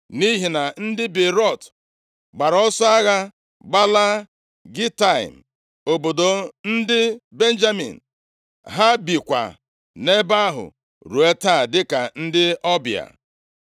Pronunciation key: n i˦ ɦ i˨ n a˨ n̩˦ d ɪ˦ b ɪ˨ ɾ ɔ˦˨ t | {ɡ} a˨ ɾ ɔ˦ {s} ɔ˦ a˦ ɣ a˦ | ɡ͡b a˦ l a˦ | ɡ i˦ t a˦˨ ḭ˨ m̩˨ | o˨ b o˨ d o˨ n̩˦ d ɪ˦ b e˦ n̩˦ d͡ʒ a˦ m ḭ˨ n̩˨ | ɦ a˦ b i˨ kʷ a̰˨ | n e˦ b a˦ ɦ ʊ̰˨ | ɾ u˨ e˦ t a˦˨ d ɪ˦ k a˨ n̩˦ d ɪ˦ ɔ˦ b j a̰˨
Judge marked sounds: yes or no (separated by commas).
no, yes